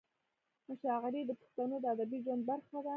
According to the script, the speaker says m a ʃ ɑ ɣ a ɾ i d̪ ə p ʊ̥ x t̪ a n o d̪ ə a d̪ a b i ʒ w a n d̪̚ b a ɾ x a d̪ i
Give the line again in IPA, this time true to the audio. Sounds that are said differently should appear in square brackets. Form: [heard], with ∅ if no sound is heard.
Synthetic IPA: m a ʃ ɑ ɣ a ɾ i d̪ ə p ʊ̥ x t̪ a n o d̪ ə a d̪ a b i ʒ w a n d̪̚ b a ɾ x a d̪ [a]